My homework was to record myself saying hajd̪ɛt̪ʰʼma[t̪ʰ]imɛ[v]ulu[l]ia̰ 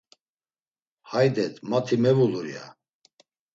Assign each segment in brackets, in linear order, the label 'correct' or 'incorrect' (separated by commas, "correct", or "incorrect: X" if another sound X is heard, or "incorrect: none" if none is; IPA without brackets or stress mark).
correct, correct, incorrect: ɾ